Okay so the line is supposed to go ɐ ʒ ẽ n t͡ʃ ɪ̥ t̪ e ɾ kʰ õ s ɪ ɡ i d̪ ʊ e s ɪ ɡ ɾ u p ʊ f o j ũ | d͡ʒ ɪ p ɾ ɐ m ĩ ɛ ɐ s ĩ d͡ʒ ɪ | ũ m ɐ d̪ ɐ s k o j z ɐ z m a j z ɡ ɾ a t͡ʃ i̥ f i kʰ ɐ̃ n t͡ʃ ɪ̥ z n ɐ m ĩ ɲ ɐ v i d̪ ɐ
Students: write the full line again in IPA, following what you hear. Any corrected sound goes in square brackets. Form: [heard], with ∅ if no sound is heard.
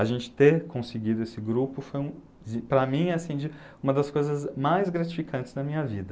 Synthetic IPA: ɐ ʒ ẽ n t͡ʃ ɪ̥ t̪ e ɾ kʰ õ s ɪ ɡ i d̪ ʊ e s ɪ ɡ ɾ u p ʊ f o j ũ | d͡ʒ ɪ p ɾ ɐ m ĩ ɛ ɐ s ĩ d͡ʒ ɪ | ũ m ɐ d̪ ɐ s k o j z ɐ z m a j z ɡ ɾ a t͡ʃ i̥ f i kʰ ɐ̃ n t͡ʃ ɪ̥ z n ɐ m ĩ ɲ ɐ v i d̪ ɐ